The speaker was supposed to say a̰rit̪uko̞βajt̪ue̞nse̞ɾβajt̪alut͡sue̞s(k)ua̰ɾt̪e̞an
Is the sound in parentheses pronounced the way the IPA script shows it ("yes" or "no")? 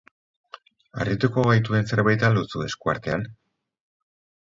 yes